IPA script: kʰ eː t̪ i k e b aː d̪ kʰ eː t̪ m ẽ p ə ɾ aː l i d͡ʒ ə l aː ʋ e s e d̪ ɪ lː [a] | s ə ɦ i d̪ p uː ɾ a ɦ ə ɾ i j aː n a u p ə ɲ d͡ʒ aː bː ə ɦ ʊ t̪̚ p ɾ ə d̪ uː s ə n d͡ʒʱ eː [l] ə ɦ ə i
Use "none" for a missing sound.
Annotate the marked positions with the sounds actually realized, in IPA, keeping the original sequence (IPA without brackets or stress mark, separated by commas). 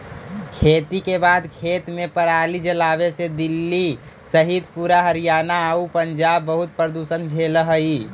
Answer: i, l